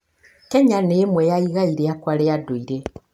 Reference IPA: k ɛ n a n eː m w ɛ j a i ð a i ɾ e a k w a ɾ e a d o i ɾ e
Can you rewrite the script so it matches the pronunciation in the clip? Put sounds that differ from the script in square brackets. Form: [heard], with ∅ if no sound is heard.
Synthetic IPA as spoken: k ɛ [ɲ] a n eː m w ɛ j a i [ɣ] a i ɾ e a k w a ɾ e a d o i ɾ e